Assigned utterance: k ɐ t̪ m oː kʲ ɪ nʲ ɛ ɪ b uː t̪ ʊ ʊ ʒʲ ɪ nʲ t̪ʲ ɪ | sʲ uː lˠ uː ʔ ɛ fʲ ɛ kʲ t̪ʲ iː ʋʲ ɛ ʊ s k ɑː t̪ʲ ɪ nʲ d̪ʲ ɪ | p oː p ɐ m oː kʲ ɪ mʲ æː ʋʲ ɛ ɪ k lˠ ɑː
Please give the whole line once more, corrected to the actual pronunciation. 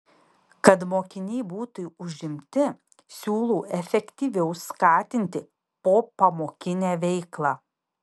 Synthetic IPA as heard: k ɐ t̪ m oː kʲ ɪ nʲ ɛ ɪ b uː t̪ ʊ ʊ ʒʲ ɪ mʲ t̪ʲ ɪ | sʲ uː lˠ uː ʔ ɛ fʲ ɛ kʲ t̪ʲ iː ʋʲ ɛ ʊ s k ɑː t̪ʲ ɪ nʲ t̪ʲ ɪ | p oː p ɐ m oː kʲ ɪ nʲ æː ʋʲ ɛ ɪ k lˠ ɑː